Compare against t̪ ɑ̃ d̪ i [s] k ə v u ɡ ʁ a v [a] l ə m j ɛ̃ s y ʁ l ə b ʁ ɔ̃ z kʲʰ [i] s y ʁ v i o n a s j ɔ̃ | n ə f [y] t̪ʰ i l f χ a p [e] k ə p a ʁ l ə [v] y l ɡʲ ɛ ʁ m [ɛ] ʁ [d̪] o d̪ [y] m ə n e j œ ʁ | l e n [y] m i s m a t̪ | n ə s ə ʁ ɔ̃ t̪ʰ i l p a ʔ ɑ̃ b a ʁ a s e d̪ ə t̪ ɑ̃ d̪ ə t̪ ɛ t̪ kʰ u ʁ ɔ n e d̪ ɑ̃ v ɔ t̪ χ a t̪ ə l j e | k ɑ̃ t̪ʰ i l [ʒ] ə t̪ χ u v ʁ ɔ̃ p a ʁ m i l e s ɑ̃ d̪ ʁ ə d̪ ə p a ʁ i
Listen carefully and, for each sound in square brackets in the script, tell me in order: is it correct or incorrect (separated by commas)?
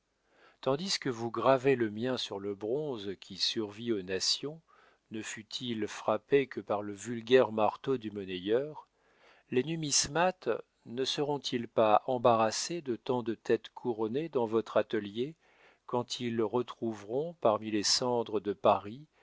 correct, incorrect, correct, correct, correct, correct, incorrect, incorrect, correct, correct, incorrect